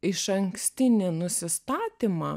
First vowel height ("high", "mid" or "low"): high